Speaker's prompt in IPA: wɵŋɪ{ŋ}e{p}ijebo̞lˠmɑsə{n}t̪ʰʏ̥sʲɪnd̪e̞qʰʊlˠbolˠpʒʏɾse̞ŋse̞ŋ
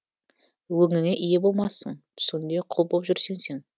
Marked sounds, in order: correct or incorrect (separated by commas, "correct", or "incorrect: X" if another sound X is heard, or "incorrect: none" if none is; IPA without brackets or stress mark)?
correct, incorrect: ʔ, incorrect: ɴ